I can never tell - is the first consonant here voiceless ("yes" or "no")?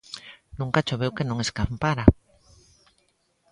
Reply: no